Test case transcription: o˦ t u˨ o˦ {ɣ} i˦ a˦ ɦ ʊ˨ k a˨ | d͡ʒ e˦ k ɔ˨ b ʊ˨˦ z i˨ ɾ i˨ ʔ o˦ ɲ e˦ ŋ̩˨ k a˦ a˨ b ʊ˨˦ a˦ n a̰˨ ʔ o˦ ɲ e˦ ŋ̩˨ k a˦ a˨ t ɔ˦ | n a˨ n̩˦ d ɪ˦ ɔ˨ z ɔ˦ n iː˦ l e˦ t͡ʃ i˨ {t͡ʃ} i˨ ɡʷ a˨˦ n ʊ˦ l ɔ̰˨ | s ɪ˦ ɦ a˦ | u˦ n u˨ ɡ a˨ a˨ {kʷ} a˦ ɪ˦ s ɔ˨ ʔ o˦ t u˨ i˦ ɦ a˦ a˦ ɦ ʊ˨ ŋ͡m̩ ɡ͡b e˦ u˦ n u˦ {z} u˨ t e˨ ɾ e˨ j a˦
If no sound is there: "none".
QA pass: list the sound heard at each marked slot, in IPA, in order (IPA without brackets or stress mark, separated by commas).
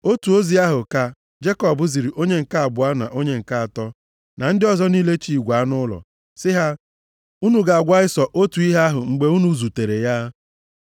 z, none, ɡʷ, z